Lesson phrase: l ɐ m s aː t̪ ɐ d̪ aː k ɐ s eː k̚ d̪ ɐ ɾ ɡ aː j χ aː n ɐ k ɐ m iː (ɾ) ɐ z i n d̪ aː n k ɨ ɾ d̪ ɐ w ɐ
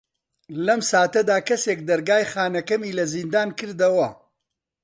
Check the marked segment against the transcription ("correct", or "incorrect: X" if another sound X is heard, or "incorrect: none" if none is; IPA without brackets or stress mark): incorrect: l